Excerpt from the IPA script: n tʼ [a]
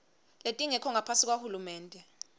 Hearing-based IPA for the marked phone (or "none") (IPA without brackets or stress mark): ɛ